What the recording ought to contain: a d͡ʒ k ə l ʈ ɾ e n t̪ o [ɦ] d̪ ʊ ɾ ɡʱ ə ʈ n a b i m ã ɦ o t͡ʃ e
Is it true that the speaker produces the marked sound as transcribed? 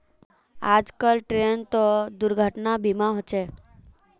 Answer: no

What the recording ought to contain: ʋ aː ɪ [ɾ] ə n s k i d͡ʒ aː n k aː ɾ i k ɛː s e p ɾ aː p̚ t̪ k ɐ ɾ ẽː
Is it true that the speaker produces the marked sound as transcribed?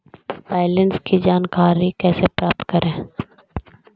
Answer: no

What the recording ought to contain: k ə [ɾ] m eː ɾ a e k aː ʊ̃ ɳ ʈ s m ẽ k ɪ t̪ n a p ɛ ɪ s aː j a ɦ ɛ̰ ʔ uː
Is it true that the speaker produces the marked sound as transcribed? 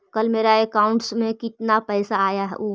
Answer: no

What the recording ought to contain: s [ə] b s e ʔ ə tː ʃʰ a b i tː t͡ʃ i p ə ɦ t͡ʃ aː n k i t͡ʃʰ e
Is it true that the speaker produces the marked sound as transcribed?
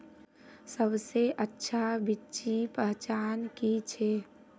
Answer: yes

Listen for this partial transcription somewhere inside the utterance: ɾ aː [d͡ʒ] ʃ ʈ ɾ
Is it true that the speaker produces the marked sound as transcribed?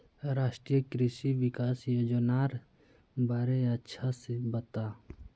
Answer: no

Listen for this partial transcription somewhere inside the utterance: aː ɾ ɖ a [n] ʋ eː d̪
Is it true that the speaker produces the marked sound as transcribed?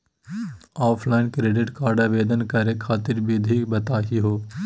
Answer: no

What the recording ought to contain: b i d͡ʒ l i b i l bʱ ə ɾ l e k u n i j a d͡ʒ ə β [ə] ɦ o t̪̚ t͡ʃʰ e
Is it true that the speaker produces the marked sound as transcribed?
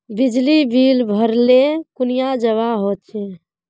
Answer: no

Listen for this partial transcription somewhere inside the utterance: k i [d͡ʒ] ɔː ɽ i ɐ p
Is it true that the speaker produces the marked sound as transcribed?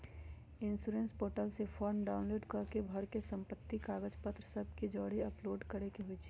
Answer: yes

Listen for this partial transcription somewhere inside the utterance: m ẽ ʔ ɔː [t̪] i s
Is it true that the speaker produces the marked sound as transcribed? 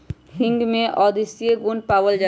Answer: no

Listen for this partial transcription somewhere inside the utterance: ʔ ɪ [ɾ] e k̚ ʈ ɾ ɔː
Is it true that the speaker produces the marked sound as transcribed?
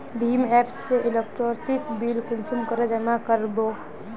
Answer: no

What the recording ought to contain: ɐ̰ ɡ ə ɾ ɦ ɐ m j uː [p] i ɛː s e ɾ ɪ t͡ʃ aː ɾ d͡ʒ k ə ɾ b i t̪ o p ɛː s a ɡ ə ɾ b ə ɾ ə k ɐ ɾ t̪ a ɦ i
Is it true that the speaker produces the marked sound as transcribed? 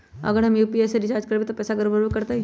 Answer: yes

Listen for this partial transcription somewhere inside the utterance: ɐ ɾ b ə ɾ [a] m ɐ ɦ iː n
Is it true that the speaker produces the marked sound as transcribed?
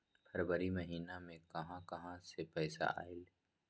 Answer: no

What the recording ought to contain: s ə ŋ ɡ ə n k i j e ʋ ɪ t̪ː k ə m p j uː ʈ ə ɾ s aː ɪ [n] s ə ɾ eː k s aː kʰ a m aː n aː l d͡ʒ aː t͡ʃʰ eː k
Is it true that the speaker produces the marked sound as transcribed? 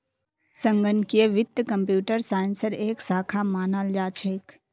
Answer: yes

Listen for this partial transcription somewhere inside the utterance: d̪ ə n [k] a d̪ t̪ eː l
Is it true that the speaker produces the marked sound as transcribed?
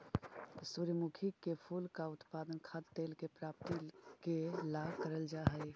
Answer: no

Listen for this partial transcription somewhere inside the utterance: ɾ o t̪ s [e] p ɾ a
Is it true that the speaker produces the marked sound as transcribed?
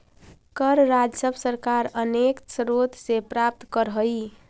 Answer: yes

